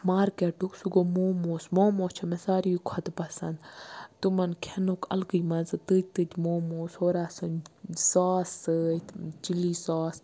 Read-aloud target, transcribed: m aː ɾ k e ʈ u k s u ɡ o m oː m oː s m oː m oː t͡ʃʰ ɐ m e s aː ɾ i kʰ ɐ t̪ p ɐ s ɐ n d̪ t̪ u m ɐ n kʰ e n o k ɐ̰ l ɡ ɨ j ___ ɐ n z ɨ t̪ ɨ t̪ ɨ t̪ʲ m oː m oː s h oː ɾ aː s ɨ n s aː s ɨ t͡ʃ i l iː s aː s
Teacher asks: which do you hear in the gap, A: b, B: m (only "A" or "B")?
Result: B